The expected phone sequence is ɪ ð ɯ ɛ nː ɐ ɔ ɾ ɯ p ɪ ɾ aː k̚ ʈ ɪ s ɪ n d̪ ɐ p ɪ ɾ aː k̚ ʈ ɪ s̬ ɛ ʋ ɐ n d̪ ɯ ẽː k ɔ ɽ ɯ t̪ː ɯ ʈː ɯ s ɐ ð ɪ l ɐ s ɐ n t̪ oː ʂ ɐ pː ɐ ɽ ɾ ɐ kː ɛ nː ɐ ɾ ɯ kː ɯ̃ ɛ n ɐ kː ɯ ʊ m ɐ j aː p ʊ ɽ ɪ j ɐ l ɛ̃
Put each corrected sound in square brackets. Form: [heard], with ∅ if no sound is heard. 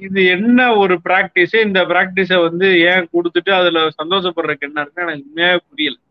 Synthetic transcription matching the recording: ɪ ð ɯ ɛ nː ɐ ɔ ɾ ɯ p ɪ ɾ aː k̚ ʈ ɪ s ɪ n d̪ ɐ p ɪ ɾ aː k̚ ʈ ɪ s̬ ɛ ʋ ɐ n d̪ ɯ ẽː k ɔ ɽ ɯ t̪ː ɯ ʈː ɯ [∅] ɐ ð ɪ l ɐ s ɐ n [d̪] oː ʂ ɐ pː ɐ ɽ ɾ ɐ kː ɛ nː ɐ ɾ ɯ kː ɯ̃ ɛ n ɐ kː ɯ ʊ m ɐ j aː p ʊ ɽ ɪ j ɐ l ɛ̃